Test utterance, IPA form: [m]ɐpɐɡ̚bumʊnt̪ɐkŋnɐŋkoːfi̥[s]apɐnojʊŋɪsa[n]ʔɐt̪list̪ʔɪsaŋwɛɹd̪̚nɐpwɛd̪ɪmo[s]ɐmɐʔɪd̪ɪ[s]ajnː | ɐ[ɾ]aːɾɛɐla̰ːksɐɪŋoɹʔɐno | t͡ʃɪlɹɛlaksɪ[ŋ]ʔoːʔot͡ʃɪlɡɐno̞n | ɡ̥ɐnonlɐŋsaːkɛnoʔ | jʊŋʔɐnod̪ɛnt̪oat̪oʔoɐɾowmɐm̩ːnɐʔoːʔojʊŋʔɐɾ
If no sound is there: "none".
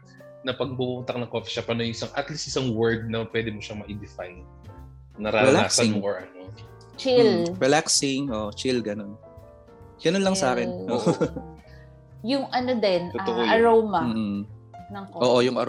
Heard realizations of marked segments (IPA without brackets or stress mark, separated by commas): n, ʃ, ŋ, ʃ, f, ɾ, ŋ